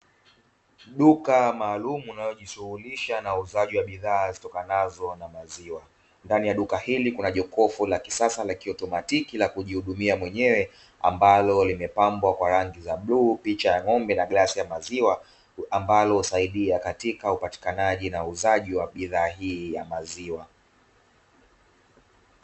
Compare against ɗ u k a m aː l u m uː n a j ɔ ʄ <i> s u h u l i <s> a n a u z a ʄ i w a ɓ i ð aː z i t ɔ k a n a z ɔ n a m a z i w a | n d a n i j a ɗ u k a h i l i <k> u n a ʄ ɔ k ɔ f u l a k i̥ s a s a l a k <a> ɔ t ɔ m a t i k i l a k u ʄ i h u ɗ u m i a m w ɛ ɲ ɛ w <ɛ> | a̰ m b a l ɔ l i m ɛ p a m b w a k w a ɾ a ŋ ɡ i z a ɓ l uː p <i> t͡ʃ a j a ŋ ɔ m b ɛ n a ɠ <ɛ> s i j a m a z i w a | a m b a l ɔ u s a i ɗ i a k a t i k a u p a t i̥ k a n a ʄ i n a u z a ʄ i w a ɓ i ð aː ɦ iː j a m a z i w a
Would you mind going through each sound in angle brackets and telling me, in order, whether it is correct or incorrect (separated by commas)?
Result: correct, incorrect, correct, incorrect, correct, correct, incorrect